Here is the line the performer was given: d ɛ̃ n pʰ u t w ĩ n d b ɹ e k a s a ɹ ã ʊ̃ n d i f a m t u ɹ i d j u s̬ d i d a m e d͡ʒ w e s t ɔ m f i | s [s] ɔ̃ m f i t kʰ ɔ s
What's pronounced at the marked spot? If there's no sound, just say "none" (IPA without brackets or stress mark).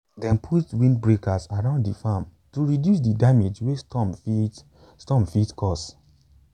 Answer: t